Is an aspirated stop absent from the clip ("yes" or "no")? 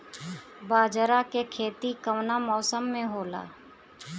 no